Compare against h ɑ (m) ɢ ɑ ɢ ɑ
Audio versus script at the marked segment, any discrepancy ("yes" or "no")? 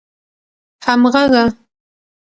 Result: no